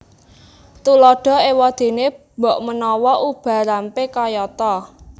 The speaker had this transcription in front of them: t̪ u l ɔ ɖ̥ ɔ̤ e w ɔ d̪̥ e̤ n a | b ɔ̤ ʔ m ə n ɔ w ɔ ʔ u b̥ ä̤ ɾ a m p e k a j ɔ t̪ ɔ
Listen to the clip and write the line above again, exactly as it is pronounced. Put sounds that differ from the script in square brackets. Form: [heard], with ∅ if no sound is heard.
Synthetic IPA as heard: t̪ u l ɔ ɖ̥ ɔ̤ e w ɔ d̪̥ e̤ n [e] | b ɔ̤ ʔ m ə n ɔ w ɔ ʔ u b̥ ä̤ ɾ a m p e k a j ɔ t̪ ɔ

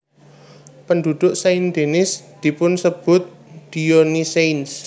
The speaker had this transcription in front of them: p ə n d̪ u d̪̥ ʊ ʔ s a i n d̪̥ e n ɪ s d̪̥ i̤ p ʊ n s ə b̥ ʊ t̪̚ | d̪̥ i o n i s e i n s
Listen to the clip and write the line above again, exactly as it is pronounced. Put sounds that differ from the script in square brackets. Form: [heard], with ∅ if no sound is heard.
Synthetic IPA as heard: p ə n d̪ u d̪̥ ʊ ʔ s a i n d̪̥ e n ɪ s d̪̥ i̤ p ʊ n s ə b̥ ʊ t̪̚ | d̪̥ i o n i s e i n s

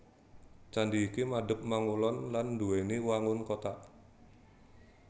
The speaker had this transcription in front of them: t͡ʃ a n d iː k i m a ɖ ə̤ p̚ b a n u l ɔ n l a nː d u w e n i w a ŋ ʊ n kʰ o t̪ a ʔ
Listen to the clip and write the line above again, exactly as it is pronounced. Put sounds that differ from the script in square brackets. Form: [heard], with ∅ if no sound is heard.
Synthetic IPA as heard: t͡ʃ a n d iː k i m a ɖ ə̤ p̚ [m] a [ŋ] u l ɔ n l a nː d u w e n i w a ŋ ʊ n [k] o t̪ a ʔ

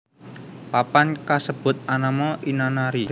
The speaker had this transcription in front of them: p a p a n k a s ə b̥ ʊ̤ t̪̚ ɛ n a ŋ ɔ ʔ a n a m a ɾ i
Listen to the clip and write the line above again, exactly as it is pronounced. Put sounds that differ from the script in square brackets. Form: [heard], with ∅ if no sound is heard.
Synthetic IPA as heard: p a p a n k a s ə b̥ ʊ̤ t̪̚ [a] n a [m] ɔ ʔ [i] n a [n] a ɾ i

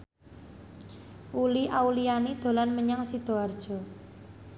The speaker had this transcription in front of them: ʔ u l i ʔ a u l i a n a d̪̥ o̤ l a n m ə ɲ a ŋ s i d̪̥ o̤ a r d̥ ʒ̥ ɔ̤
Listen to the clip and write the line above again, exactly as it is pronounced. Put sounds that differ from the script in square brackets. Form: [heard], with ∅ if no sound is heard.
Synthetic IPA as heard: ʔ u l i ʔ a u l i a n [i] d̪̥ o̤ l a n m ə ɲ a ŋ s i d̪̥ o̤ a r d̥ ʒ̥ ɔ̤

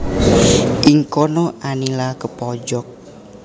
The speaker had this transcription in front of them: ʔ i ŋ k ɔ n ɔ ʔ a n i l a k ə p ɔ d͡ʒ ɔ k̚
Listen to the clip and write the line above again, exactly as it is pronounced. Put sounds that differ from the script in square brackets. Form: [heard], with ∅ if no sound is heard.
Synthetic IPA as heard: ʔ i ŋ k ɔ n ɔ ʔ a n i l a k ə p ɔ d͡ʒ ɔ k̚

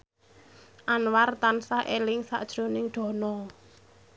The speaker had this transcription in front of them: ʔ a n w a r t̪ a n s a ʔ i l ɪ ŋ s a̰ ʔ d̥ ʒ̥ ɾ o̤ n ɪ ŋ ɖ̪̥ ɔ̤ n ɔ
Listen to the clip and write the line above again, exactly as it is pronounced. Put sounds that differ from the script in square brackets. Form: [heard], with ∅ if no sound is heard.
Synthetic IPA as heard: ʔ a n w a r t̪ a n s a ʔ [e] l ɪ ŋ s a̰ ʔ d̥ ʒ̥ ɾ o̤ n ɪ ŋ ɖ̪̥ ɔ̤ n ɔ

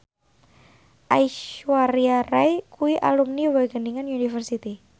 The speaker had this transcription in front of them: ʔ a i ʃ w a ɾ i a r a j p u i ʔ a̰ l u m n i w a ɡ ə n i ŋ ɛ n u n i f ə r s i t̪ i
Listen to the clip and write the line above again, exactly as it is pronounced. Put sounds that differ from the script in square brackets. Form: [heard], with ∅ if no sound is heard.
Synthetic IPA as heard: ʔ a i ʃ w a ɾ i a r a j [k] u i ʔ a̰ l u m n i w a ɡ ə n i ŋ [a] n u n i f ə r s i t̪ i

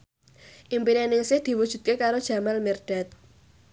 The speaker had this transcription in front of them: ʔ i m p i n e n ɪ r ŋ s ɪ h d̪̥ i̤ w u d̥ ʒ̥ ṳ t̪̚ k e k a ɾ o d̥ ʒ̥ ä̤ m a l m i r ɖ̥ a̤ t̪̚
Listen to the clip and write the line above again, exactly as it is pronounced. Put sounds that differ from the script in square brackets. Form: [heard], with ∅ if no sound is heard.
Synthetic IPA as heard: ʔ i m p i n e n ɪ [∅] ŋ s ɪ h d̪̥ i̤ w u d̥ ʒ̥ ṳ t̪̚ k e k a ɾ o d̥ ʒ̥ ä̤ m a l m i r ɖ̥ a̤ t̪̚

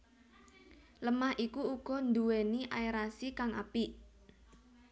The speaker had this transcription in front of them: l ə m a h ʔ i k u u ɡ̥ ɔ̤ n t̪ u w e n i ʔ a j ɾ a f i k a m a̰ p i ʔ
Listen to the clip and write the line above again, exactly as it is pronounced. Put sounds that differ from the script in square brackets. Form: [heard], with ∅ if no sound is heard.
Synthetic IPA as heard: l ə m a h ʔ i k u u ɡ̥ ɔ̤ n [d̪] u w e n i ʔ a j ɾ a [s] i k a [ŋ] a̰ p i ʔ

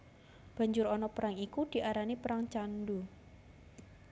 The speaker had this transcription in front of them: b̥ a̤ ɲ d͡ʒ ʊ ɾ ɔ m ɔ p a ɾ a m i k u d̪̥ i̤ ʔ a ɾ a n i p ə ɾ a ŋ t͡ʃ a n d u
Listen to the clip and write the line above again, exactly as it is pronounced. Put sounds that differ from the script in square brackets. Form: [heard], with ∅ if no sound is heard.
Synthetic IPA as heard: b̥ a̤ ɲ d͡ʒ ʊ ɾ ɔ [n] ɔ p [ə] ɾ a [ŋ] i k u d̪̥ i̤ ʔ a ɾ a n i p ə ɾ a ŋ t͡ʃ a n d u

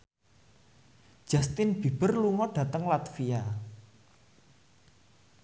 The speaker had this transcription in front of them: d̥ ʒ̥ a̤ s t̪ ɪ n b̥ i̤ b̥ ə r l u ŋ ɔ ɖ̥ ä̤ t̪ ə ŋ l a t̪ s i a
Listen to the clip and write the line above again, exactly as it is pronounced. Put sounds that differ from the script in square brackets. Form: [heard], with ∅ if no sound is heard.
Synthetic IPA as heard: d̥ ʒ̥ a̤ s t̪ ɪ n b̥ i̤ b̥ ə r l u ŋ ɔ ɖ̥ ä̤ t̪ ə ŋ l a t̪ [f] i a

